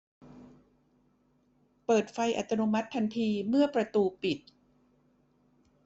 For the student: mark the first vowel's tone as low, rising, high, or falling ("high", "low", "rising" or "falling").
low